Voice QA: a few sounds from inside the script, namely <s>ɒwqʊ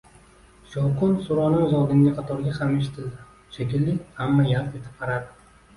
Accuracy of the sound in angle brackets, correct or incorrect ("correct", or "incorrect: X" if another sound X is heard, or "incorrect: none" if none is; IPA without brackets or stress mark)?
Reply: incorrect: ʃ